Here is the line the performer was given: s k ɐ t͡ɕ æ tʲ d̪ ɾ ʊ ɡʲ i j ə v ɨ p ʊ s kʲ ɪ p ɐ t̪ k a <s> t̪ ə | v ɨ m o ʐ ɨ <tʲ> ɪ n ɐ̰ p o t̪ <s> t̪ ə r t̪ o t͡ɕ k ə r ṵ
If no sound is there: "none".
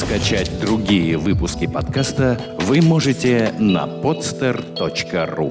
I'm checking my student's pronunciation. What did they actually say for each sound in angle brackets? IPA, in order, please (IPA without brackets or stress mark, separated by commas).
s, tʲ, s